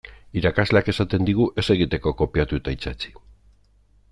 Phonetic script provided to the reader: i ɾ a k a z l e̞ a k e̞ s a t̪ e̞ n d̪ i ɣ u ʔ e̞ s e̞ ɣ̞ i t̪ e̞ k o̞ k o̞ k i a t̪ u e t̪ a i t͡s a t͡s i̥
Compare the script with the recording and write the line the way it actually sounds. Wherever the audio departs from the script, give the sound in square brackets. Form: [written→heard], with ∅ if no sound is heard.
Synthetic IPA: i ɾ a k a z l e̞ a k e̞ s a t̪ e̞ n d̪ i ɣ u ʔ e̞ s e̞ ɣ̞ i t̪ e̞ k o̞ k o̞ [k→p] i a t̪ u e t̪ a i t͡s a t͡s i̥